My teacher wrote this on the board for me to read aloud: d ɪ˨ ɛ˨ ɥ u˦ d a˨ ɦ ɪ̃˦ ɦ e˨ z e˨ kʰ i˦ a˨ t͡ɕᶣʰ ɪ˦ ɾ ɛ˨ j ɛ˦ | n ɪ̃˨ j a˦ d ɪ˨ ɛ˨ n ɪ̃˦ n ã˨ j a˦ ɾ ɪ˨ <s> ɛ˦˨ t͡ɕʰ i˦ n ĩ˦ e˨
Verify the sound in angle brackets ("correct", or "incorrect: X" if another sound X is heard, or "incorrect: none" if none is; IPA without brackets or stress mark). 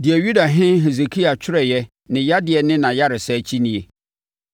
correct